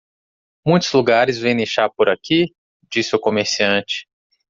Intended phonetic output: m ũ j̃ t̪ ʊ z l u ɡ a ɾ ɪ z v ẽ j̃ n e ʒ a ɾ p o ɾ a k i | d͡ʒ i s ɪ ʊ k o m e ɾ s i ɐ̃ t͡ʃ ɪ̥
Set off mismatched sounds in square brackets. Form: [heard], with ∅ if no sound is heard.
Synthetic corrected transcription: m ũ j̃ t̪ ʊ z l u ɡ a ɾ ɪ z v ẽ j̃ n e [ʃ] a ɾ p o ɾ a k i | d͡ʒ i s ɪ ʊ k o m e ɾ s i ɐ̃ t͡ʃ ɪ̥

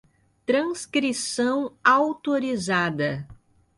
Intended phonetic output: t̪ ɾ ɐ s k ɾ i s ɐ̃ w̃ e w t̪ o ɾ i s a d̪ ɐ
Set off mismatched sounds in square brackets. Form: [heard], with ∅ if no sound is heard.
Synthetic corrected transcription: t̪ ɾ [ɐ̃] s k ɾ i s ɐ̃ w̃ [a] w t̪ o ɾ i [z] a d̪ ɐ

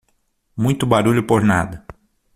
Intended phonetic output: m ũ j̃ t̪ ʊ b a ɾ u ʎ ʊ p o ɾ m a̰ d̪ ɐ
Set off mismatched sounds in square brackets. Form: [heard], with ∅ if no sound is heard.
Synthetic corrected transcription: m ũ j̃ t̪ ʊ b a ɾ u ʎ ʊ p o ɾ [n] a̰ d̪ ɐ

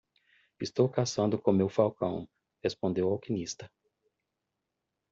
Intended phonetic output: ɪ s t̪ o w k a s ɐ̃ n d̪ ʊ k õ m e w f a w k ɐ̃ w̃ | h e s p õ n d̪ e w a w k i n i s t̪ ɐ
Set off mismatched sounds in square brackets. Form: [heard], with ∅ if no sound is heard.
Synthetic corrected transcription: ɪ s t̪ o w k a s ɐ̃ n d̪ ʊ k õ m e w f a w k ɐ̃ w̃ | h e s p õ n d̪ e w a w k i n i s t̪ ɐ

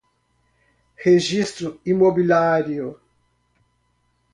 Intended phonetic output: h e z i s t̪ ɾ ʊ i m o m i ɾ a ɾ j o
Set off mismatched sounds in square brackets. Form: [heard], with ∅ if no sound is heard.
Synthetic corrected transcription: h e [ʒ] i s t̪ ɾ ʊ i m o [b] i [l] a ɾ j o

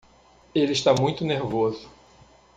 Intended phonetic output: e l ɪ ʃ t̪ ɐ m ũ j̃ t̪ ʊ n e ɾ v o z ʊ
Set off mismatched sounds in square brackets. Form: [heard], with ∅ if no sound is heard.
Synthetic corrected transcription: e l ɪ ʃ t̪ [a] m ũ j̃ t̪ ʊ n e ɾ v o z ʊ

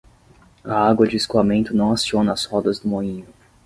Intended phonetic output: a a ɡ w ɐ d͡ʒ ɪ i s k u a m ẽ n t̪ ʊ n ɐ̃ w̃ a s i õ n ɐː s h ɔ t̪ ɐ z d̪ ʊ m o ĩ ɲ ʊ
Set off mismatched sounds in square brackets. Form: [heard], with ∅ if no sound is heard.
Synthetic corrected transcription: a a ɡ w ɐ d͡ʒ ɪ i s k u a m ẽ n t̪ ʊ n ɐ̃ w̃ a s i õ n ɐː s h ɔ [d̪] ɐ z d̪ ʊ m o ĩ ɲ ʊ

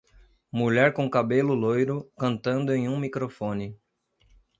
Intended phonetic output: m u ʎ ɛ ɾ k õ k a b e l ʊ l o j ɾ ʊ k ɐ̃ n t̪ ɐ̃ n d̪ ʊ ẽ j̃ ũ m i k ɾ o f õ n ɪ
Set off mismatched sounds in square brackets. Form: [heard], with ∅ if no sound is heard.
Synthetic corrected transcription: m u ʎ ɛ ɾ k õ k a b e l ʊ l o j ɾ ʊ k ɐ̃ n t̪ ɐ̃ n d̪ ʊ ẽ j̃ ũ m i k ɾ o f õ n ɪ

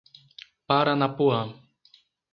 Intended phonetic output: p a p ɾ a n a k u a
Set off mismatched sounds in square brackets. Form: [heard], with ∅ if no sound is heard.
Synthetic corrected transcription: p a [∅] ɾ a n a [p] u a

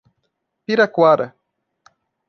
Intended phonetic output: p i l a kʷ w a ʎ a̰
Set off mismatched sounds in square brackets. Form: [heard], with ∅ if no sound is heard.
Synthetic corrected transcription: p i [ɾ] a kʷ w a [ɾ] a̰

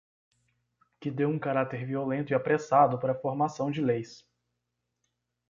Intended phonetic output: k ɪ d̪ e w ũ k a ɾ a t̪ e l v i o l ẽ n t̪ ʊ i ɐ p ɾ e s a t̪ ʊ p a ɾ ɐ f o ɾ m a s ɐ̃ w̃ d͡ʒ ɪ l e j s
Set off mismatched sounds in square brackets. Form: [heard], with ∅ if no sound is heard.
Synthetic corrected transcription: k ɪ d̪ e w ũ k a ɾ a t̪ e [ɾ] v i o l ẽ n t̪ ʊ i [a] p ɾ e s a [d̪] ʊ p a ɾ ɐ f o ɾ m a s ɐ̃ w̃ d͡ʒ ɪ l e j s

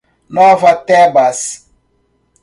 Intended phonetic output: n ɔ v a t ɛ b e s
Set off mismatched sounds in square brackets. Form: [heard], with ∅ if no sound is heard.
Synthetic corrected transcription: n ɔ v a t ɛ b [a] s

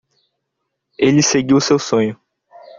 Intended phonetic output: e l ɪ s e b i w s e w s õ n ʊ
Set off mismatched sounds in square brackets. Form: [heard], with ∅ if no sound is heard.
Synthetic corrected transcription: e l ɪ s e [ɡ] i w s e w s õ [ɲ] ʊ

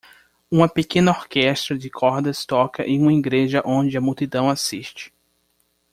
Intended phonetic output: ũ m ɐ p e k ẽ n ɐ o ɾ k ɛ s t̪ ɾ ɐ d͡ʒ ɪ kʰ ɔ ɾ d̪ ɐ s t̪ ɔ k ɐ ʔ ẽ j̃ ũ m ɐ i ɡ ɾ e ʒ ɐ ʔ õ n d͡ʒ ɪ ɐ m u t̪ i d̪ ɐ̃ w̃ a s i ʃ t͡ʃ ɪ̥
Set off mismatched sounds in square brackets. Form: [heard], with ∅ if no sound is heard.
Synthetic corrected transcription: ũ m ɐ p e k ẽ n ɐ o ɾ k ɛ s t̪ ɾ ɐ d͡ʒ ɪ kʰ ɔ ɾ d̪ ɐ s t̪ ɔ k ɐ ʔ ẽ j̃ ũ m ɐ i ɡ ɾ e ʒ ɐ ʔ õ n d͡ʒ ɪ ɐ m u t̪ i d̪ ɐ̃ w̃ a s i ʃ t͡ʃ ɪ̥

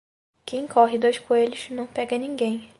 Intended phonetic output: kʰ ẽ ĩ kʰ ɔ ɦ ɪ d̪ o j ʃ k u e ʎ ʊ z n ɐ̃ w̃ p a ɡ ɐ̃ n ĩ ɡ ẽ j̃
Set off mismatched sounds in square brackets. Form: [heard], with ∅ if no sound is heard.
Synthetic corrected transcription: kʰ ẽ [j̃] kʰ ɔ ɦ ɪ d̪ o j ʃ k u e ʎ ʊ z n ɐ̃ w̃ p [ɛ] ɡ [ɐ] n ĩ ɡ ẽ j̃

